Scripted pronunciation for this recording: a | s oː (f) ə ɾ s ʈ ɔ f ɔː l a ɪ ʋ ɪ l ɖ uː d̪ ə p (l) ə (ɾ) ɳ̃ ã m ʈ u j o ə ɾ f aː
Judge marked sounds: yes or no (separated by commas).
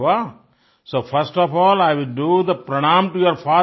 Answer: yes, no, no